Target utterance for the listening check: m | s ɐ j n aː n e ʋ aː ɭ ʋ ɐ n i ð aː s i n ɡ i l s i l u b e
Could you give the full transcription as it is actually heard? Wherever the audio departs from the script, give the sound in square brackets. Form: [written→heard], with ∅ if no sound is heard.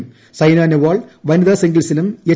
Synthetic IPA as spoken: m | s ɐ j n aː n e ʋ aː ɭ ʋ ɐ n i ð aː s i [n→ŋ] ɡ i l s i l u [b→m] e